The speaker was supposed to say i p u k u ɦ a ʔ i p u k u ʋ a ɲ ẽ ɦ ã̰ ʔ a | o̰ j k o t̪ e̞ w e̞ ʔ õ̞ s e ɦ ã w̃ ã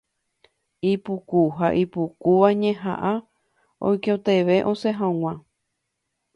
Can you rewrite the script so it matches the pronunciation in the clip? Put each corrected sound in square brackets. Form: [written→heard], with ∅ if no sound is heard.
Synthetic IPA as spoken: i p u k u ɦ a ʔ i p u k u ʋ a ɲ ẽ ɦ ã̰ ʔ a | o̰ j k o t̪ e̞ [w→ʋ] e̞ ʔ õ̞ s e ɦ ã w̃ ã